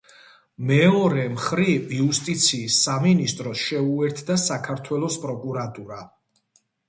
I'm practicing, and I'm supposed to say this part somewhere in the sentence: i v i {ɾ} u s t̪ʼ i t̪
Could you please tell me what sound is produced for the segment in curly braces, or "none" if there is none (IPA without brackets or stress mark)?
none